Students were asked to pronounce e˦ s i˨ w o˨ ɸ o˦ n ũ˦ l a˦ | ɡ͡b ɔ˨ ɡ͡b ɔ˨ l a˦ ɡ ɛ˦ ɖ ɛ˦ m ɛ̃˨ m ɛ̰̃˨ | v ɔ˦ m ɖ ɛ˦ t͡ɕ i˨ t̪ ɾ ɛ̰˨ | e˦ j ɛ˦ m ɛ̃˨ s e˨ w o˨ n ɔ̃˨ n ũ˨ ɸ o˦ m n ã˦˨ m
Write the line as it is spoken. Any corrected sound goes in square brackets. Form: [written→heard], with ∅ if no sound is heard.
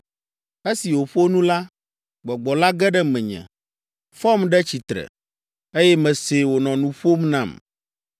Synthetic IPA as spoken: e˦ s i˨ w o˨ ɸ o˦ n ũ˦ l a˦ | ɡ͡b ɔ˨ ɡ͡b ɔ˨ l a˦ ɡ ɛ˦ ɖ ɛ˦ m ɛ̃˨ [m→ɲ] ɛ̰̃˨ | [v→f] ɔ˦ m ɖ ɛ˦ t͡ɕ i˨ t̪ ɾ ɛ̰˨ | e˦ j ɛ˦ m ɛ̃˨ s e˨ w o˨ n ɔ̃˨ n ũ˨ ɸ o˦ m n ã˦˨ m